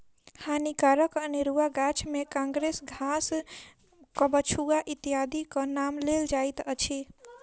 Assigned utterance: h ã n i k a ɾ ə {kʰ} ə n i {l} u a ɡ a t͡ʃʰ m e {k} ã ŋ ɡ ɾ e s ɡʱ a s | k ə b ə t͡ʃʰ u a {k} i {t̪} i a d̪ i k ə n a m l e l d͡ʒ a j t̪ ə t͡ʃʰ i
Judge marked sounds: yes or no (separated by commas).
no, no, yes, no, yes